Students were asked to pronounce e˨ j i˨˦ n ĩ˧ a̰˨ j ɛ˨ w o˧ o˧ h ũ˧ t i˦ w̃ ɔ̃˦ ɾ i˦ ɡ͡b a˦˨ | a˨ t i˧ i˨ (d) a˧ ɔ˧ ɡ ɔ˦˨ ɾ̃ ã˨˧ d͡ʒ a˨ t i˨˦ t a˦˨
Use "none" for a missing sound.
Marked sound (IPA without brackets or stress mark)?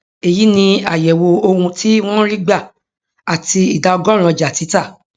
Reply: d